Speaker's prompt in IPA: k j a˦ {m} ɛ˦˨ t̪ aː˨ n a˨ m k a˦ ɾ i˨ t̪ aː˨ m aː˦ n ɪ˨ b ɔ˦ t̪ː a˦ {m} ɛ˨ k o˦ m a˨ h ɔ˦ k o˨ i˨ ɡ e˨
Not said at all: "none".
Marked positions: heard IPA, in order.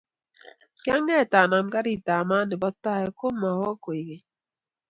ŋ, none

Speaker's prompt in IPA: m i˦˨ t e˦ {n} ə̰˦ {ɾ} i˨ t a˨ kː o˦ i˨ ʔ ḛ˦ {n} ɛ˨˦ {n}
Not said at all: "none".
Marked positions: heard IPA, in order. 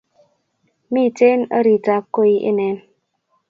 n, ɾ, n, n

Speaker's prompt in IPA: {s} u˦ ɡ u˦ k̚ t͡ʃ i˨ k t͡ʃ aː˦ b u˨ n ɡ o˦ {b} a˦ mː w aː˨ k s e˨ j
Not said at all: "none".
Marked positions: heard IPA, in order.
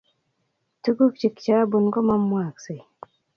t, m

